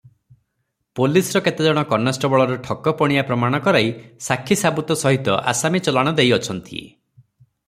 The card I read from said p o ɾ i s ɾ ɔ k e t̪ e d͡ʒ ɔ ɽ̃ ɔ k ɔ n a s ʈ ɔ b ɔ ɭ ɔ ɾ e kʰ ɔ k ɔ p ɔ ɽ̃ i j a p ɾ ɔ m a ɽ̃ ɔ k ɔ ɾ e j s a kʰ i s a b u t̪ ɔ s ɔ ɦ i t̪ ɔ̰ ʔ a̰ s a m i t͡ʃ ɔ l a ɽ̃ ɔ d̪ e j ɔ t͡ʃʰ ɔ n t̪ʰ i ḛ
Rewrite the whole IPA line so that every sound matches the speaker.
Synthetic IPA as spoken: p o l i s ɾ ɔ k e t̪ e d͡ʒ ɔ ɽ̃ ɔ k ɔ n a s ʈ ɔ b ɔ ɭ ɔ ɾ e ʈʰ ɔ k ɔ p ɔ ɽ̃ i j a p ɾ ɔ m a ɽ̃ ɔ k ɔ ɾ a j s a kʰ i s a b u t̪ ɔ s ɔ ɦ i t̪ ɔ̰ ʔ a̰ s a m i t͡ʃ ɔ l a ɽ̃ ɔ d̪ e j ɔ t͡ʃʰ ɔ n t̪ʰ i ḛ

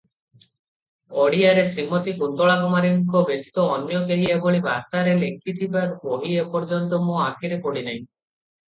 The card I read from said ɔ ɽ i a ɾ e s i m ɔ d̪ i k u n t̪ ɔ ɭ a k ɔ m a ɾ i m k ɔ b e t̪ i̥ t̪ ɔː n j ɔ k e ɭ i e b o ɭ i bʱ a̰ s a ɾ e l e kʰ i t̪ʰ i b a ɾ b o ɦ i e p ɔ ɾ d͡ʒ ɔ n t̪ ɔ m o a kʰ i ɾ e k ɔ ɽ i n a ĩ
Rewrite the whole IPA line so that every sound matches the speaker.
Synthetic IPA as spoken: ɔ ɽ i a ɾ e s i m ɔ t̪ i k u n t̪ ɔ ɭ a k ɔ m a ɾ i ŋ k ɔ b e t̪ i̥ t̪ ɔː n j ɔ k e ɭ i e b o ɭ i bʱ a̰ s a ɾ e l e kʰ i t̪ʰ i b a ɾ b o ɦ i e p ɔ ɾ d͡ʒ ɔ n t̪ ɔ m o a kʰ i ɾ e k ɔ ɽ i n a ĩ

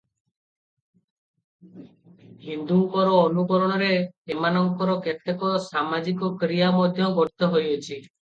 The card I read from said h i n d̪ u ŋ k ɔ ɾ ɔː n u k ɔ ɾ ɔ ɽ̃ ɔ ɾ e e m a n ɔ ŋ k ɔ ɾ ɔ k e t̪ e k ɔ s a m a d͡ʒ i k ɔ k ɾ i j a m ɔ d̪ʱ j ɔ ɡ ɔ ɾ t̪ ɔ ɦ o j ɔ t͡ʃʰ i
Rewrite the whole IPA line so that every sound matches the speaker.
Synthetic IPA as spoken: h i n d̪ u ŋ k ɔ ɾ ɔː n u k ɔ ɾ ɔ ɽ̃ ɔ ɾ e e m a n ɔ ŋ k ɔ ɾ ɔ k e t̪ e k ɔ s a m a d͡ʒ i k ɔ k ɾ i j a m ɔ d̪ʱ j ɔ ɡ ɔ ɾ t̪ ɔ ɦ o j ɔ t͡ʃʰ i

